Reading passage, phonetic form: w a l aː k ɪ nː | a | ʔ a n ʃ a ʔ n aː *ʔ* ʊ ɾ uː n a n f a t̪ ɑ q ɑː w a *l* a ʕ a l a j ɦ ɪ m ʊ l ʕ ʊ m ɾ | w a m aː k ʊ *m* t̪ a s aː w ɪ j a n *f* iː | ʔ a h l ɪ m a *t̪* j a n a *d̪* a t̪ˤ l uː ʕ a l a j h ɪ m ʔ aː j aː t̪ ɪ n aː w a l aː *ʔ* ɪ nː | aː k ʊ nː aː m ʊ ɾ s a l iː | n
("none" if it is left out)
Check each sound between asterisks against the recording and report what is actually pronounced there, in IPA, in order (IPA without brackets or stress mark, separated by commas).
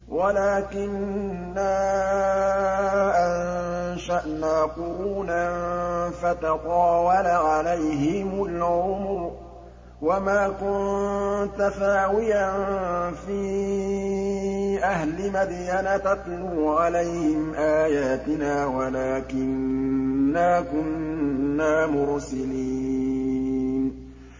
q, l, n, f, d̪, t̪, k